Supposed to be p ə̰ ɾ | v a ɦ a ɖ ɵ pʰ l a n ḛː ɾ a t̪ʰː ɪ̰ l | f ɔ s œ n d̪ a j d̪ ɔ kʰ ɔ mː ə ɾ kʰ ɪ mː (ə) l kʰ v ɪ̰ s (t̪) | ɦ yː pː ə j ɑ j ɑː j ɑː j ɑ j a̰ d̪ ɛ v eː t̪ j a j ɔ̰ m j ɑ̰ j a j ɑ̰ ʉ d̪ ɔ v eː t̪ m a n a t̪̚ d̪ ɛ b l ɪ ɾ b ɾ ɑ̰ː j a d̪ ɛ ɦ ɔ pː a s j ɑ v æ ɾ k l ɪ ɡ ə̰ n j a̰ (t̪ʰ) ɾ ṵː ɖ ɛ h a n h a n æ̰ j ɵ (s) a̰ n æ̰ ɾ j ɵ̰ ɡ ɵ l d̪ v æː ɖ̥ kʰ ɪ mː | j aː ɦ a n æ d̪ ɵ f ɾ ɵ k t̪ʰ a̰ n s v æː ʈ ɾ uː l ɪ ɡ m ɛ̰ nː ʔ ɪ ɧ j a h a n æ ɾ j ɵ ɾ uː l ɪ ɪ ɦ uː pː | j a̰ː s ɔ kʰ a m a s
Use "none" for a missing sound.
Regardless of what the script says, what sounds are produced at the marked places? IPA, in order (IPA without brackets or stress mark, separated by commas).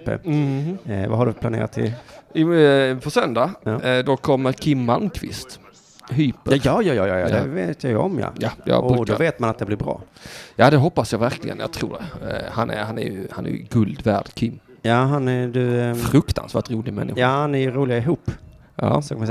a, t̪, t̪ʰ, h